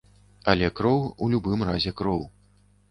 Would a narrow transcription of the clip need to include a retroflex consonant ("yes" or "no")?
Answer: no